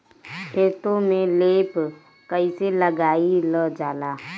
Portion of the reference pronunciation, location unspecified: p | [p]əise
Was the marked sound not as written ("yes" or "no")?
yes